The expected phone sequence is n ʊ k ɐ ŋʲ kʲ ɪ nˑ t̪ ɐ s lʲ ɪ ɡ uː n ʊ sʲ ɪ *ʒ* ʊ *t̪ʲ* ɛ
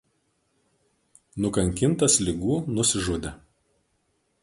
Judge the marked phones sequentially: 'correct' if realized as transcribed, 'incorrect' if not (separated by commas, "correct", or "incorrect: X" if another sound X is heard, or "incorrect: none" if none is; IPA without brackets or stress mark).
correct, incorrect: d̪ʲ